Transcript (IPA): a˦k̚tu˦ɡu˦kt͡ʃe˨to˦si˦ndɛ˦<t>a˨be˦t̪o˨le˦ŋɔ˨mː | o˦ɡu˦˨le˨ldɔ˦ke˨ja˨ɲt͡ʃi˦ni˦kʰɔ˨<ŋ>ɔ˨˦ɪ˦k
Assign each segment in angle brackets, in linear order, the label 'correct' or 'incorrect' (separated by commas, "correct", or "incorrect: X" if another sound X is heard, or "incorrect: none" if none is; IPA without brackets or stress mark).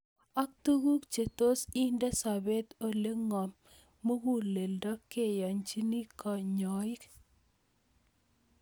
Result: incorrect: s, incorrect: ɲ